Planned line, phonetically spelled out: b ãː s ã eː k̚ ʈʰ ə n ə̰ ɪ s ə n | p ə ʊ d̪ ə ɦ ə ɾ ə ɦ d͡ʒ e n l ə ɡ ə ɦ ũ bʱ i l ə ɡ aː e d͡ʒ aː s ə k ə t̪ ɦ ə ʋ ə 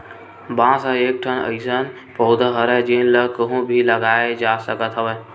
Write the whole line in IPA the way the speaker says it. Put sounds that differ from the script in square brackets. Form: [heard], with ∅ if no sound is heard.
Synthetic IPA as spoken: b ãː s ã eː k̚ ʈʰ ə n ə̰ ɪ s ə n | p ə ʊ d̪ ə ɦ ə ɾ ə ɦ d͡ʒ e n l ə [k] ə ɦ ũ bʱ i l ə ɡ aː e d͡ʒ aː s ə k ə t̪ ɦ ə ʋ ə